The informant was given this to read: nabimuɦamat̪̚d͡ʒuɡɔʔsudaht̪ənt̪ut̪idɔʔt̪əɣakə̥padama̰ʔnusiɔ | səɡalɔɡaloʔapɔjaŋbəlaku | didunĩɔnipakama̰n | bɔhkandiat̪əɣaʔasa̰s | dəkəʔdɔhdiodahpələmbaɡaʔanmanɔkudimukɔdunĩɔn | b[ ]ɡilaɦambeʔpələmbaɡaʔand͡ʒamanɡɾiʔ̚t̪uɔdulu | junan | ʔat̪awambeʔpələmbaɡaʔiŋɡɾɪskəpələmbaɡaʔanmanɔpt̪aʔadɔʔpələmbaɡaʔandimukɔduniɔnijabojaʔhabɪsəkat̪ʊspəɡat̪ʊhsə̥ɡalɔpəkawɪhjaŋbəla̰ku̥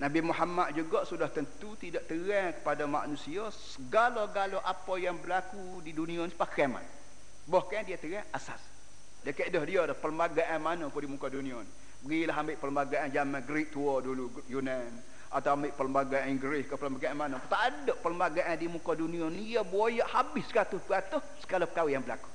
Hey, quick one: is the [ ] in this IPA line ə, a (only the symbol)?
ə